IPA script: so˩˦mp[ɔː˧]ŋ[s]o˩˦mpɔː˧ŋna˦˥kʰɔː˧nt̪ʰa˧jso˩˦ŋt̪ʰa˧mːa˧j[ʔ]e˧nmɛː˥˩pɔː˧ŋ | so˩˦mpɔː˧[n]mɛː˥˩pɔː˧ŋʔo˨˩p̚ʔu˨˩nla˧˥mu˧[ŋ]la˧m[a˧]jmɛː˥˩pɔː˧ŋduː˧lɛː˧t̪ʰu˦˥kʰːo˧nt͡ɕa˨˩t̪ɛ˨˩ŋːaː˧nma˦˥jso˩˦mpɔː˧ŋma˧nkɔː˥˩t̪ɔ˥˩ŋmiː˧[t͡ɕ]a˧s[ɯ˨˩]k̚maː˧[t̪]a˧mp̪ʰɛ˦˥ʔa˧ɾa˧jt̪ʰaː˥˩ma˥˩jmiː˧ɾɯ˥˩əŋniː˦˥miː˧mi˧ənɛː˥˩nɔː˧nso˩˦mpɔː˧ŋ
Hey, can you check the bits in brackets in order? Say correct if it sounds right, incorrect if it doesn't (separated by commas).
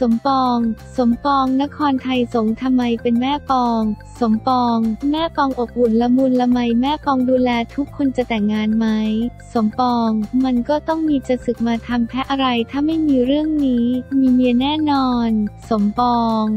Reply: correct, correct, incorrect, incorrect, incorrect, correct, correct, correct, incorrect